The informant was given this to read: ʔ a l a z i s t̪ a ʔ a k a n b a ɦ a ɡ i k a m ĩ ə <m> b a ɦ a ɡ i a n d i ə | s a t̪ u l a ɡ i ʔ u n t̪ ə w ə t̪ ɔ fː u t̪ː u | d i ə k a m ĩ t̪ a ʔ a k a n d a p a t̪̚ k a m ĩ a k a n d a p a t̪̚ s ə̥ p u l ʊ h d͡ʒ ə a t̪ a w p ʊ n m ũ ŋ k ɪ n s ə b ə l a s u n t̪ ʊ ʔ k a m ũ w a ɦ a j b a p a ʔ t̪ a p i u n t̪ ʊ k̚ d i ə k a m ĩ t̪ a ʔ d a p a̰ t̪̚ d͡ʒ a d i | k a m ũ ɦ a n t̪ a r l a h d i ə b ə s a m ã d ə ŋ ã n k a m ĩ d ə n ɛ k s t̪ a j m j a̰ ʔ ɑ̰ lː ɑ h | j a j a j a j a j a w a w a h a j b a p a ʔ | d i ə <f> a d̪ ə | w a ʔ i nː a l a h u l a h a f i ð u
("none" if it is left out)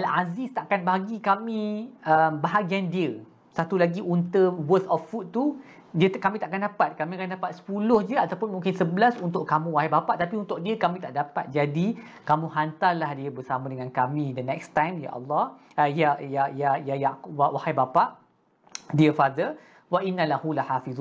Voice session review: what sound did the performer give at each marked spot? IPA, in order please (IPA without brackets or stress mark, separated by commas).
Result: m, f